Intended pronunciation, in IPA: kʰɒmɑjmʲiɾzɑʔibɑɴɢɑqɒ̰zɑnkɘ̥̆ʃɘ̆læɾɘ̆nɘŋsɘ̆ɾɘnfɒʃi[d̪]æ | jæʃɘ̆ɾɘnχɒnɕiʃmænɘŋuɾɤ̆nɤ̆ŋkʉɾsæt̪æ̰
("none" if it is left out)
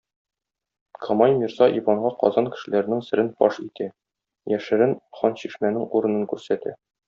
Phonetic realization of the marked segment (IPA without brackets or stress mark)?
t̪